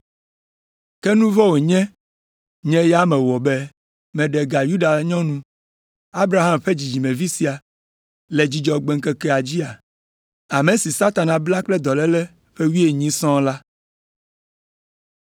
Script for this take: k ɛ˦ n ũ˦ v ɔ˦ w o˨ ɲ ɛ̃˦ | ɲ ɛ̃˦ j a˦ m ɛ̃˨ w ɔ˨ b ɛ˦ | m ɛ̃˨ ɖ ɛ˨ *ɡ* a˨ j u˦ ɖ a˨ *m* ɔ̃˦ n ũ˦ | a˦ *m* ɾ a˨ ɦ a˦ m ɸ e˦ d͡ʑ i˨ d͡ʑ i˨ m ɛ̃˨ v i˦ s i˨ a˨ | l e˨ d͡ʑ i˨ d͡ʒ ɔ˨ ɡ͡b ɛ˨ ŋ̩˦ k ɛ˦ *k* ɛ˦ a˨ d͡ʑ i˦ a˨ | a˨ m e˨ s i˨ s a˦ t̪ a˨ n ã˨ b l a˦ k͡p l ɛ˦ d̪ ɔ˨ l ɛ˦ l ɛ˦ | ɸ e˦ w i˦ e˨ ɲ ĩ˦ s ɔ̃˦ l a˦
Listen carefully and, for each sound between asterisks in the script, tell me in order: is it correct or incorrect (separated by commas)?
correct, incorrect, incorrect, correct